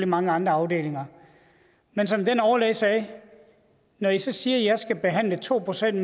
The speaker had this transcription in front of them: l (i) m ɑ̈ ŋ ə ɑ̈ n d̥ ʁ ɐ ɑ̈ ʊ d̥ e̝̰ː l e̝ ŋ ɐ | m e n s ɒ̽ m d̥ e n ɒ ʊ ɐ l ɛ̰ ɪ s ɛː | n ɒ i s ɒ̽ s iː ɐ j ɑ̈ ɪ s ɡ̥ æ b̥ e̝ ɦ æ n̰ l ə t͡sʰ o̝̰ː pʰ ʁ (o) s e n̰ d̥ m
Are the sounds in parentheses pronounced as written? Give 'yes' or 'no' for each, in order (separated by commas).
yes, yes